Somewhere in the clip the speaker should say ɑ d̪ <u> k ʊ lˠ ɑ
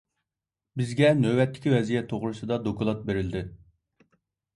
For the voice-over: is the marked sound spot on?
no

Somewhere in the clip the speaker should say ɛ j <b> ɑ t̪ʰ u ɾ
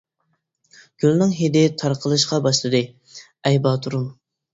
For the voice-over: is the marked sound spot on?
yes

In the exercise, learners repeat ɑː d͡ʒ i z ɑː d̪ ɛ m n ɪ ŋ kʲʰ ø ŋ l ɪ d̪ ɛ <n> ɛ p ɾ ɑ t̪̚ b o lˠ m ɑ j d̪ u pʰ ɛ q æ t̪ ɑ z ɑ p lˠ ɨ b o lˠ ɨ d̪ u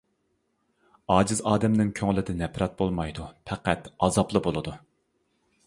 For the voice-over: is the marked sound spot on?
yes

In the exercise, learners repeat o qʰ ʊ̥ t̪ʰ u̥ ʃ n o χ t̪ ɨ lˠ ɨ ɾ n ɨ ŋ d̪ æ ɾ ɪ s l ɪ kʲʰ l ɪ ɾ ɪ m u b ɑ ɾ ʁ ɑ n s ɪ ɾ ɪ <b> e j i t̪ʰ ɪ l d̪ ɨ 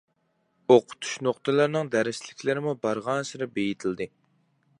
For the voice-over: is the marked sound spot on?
yes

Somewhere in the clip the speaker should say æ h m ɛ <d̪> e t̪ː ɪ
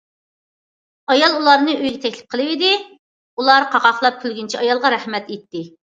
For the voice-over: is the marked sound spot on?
no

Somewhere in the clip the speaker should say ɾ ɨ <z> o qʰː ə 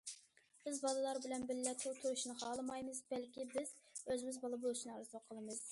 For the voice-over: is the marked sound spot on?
yes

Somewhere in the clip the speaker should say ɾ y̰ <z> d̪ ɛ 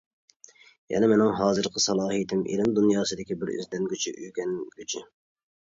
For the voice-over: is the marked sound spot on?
yes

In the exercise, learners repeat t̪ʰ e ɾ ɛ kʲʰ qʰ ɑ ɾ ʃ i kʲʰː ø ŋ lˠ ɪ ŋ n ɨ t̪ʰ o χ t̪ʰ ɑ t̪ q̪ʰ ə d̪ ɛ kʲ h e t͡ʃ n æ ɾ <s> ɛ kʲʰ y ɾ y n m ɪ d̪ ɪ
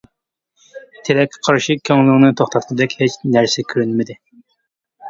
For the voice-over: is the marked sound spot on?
yes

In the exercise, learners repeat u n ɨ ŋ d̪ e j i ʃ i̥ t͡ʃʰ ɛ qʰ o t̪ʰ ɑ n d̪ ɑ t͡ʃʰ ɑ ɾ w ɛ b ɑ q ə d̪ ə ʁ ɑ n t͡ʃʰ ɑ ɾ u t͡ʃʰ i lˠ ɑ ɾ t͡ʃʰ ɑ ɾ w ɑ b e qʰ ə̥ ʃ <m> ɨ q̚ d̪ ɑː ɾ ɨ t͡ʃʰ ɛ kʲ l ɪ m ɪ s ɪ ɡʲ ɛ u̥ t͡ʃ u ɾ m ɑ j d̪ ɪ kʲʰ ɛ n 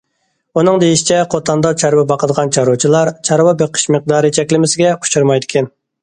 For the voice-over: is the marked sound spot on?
yes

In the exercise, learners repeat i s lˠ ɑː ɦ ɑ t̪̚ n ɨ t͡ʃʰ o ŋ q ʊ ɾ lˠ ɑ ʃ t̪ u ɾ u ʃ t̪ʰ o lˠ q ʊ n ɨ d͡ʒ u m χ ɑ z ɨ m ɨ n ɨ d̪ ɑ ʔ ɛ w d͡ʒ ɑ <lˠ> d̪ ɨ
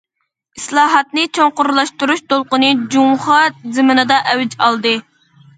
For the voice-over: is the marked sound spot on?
yes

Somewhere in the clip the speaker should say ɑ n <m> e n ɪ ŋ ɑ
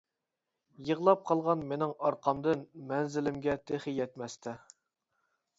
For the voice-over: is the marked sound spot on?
yes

